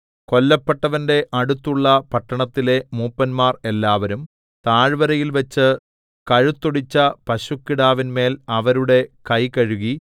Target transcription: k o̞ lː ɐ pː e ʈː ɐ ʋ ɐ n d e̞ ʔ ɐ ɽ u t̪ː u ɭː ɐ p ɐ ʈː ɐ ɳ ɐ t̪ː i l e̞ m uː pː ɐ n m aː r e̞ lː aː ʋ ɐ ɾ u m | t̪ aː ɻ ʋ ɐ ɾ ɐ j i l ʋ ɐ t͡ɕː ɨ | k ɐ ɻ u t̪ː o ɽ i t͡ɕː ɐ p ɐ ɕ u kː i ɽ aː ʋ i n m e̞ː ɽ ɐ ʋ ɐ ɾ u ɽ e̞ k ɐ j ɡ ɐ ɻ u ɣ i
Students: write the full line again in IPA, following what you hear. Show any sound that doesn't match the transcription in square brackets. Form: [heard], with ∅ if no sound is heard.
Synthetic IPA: k o̞ lː ɐ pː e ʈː ɐ ʋ ɐ n d e̞ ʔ ɐ ɽ u t̪ː u ɭː ɐ p ɐ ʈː ɐ ɳ ɐ t̪ː i l e̞ m uː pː ɐ n m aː r e̞ lː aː ʋ ɐ ɾ u m | t̪ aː ɻ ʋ ɐ ɾ ɐ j i l ʋ ɐ t͡ɕː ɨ | k ɐ ɻ u t̪ː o ɽ i t͡ɕː ɐ p ɐ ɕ u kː i ɽ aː ʋ i n m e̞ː [l] ɐ ʋ ɐ ɾ u ɽ e̞ k ɐ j [k] ɐ ɻ u ɣ i